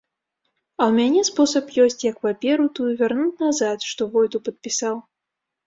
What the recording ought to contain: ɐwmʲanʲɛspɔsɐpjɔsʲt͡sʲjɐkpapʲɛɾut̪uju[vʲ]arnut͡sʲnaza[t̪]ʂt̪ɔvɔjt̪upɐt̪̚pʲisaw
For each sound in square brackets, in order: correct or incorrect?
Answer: correct, correct

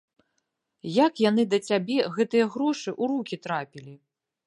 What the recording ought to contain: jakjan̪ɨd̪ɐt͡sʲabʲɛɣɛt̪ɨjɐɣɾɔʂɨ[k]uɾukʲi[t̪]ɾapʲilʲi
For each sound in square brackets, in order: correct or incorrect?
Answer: incorrect, correct

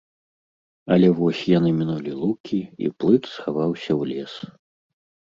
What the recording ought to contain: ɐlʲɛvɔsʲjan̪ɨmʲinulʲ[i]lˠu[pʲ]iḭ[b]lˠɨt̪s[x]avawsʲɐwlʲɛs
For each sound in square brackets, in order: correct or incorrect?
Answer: correct, incorrect, incorrect, correct

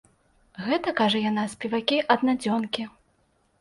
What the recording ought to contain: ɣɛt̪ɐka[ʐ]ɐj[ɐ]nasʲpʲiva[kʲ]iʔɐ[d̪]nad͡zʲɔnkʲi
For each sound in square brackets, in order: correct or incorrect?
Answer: correct, incorrect, correct, correct

